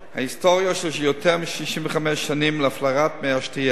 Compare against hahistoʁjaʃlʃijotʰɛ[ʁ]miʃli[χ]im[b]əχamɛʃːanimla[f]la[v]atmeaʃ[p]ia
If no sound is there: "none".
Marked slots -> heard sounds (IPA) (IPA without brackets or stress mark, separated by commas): ʁ, ʃ, v, f, ʁ, t